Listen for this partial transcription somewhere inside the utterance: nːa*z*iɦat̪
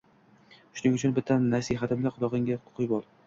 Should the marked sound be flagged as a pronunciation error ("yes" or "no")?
yes